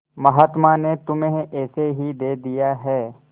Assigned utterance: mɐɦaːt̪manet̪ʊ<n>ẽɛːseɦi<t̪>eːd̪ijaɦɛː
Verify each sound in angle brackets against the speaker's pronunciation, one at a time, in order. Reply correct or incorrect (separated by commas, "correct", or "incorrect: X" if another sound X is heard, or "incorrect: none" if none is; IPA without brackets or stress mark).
incorrect: m, incorrect: d̪